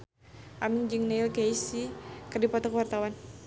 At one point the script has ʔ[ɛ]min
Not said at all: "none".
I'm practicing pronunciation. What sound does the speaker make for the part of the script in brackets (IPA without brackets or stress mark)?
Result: a